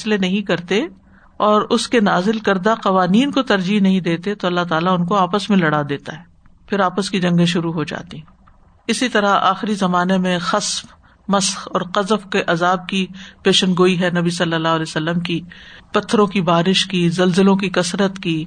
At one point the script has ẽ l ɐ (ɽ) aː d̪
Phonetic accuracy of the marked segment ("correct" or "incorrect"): correct